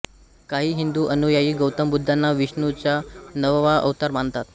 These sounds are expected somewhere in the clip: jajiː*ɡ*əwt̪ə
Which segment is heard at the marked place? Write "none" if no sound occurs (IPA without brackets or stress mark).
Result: ɡ